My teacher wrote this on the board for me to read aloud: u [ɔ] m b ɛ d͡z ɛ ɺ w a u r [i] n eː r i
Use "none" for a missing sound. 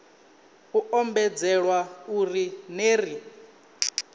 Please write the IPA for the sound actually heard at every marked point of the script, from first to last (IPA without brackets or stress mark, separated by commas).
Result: ɔ, i